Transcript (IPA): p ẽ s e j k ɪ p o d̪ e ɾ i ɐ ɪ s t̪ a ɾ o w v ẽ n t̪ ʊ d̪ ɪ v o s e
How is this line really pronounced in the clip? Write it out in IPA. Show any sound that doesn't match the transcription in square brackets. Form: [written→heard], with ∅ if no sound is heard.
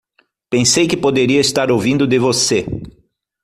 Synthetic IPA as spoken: p ẽ s e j k ɪ p o d̪ e ɾ i ɐ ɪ s t̪ a ɾ o w v [ẽ→ĩ] n [t̪→d̪] ʊ d̪ ɪ v o s e